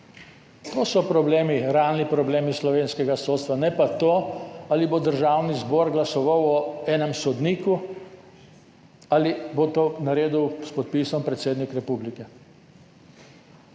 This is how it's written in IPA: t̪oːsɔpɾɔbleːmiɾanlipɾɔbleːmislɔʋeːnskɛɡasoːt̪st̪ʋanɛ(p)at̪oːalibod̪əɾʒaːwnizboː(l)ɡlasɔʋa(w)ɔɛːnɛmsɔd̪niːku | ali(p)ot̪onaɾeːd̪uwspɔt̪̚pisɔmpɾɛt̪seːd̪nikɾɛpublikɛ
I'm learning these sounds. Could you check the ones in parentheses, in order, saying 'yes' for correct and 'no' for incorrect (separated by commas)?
yes, no, yes, no